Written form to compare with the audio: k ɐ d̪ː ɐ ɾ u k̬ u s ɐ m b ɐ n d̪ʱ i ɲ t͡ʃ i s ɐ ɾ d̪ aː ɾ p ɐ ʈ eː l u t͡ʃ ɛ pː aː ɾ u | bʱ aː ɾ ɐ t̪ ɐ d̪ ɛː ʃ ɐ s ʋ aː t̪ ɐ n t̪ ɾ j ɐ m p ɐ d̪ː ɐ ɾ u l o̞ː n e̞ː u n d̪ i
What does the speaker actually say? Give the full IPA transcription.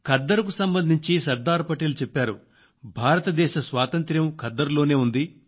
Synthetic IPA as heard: k ɐ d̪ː ɐ ɾ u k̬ u s ɐ m b ɐ n d̪ʱ i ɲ t͡ʃ i s ɐ ɾ d̪ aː ɾ p ɐ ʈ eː l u t͡ʃ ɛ pː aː ɾ u | bʱ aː ɾ ɐ t̪ ɐ d̪ ɛː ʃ ɐ s ʋ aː t̪ ɐ n t̪ ɾ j ɐ m k ɐ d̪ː ɐ ɾ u l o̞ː n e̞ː u n d̪ i